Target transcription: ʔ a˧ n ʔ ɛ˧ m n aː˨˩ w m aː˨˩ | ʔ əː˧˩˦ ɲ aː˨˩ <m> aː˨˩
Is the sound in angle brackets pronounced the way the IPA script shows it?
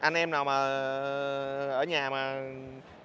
yes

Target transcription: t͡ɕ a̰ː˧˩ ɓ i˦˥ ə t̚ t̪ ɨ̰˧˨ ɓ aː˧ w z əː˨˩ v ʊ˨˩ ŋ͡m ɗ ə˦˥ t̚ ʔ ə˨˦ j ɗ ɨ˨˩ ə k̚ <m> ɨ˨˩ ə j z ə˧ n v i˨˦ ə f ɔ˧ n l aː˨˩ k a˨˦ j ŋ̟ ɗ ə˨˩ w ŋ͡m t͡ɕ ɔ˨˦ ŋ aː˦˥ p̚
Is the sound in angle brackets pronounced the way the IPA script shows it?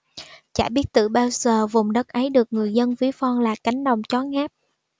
no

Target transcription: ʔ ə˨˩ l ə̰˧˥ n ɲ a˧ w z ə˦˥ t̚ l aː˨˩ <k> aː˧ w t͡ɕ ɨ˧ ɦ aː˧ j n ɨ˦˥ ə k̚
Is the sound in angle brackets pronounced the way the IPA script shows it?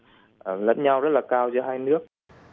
yes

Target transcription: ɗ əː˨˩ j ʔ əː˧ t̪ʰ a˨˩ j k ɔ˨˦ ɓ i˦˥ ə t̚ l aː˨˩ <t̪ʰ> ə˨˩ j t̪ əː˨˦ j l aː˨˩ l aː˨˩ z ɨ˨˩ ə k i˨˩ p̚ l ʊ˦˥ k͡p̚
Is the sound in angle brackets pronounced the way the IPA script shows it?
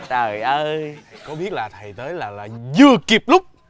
yes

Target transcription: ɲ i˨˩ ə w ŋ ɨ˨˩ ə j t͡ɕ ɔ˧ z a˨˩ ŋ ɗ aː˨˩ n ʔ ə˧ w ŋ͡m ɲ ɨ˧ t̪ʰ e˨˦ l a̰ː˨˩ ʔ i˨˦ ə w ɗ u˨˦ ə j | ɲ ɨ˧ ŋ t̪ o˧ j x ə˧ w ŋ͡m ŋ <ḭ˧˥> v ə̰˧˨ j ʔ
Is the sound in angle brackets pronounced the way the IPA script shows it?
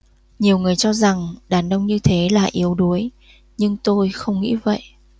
yes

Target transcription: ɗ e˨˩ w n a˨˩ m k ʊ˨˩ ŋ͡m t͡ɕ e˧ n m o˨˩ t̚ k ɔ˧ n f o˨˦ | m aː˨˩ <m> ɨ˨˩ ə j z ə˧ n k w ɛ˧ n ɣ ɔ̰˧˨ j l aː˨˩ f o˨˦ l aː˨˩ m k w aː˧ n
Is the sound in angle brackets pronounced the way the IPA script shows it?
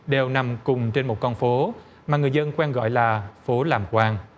no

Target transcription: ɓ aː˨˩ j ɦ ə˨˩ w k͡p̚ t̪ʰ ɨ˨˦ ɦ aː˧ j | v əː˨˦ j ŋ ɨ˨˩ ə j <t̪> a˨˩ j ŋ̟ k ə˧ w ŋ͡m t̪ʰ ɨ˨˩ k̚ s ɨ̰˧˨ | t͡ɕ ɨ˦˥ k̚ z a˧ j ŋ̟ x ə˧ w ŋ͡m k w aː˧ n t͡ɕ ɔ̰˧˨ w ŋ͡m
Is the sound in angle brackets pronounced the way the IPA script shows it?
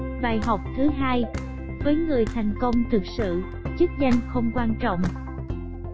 no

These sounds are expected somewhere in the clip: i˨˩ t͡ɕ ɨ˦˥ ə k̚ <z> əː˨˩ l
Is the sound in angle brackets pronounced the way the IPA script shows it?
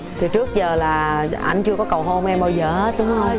yes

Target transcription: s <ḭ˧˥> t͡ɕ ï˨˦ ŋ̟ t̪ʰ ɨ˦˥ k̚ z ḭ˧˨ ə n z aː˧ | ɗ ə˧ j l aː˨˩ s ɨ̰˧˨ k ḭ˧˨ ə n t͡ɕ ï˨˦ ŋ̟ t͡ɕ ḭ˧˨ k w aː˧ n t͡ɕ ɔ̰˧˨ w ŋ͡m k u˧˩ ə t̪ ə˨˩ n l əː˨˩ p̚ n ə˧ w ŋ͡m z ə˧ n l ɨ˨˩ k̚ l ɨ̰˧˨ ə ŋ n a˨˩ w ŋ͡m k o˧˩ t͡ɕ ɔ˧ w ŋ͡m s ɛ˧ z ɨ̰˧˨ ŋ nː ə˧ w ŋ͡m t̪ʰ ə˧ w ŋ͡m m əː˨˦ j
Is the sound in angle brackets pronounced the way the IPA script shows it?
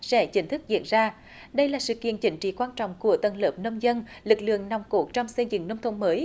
no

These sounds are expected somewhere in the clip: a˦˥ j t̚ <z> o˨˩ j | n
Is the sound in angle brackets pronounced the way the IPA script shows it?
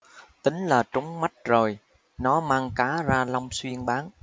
yes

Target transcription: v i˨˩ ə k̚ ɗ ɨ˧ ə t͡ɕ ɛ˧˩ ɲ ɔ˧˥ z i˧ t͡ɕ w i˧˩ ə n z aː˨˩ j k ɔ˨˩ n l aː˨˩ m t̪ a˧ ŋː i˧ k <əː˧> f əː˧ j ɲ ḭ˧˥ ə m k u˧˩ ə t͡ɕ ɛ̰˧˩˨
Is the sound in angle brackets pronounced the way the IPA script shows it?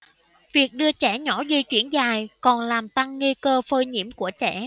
yes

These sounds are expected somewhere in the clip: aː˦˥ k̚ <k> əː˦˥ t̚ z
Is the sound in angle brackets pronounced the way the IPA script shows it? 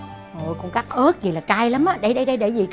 no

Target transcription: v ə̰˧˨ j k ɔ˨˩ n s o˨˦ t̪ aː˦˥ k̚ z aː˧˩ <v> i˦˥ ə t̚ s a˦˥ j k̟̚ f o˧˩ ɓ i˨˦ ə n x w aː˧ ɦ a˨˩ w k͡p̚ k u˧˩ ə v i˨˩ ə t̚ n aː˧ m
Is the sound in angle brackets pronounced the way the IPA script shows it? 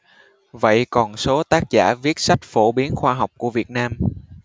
yes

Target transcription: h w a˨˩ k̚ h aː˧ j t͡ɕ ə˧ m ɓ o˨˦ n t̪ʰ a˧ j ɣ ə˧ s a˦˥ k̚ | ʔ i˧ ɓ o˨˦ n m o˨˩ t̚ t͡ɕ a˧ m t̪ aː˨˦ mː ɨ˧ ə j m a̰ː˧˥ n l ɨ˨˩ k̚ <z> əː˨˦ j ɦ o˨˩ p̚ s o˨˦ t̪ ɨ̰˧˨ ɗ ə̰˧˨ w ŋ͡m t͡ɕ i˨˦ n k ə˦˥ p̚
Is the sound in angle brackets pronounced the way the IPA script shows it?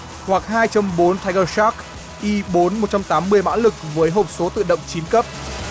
no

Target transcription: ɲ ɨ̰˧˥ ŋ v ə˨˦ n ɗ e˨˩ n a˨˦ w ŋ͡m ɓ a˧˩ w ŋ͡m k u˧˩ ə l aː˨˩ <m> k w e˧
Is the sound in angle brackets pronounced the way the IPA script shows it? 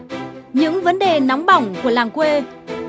no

